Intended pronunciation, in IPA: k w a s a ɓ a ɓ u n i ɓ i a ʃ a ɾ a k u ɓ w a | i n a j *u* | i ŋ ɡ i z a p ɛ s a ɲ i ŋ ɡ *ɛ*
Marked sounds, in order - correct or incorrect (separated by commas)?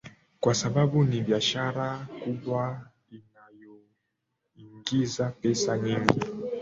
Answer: incorrect, incorrect